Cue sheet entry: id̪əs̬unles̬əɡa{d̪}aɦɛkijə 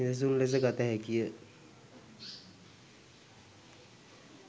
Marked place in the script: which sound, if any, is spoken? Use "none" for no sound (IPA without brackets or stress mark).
t̪